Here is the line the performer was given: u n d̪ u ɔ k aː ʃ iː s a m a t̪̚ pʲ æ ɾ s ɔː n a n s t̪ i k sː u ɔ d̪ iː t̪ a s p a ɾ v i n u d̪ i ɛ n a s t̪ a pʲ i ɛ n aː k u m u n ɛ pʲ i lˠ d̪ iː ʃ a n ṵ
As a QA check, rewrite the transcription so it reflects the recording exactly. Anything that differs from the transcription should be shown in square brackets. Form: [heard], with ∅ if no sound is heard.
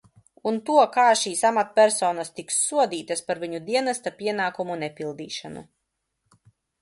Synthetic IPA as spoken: u n [t̪] u ɔ k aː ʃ iː s a m a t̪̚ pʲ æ ɾ s ɔː n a [∅] s t̪ i k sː u ɔ d̪ iː t̪ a s p a ɾ v i [ɲ] u d̪ i ɛ n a s t̪ a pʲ i ɛ n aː k u m u n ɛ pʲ i lˠ d̪ iː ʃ a n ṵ